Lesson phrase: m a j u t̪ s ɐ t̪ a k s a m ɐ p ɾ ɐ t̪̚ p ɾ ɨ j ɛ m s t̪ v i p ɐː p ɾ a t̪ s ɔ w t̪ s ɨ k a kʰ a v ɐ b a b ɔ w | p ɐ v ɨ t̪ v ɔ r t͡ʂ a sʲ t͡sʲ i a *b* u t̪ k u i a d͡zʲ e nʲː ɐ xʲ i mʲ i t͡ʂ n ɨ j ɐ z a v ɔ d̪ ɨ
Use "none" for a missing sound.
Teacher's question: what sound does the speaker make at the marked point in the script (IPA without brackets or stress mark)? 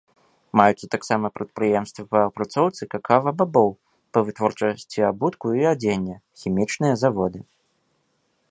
b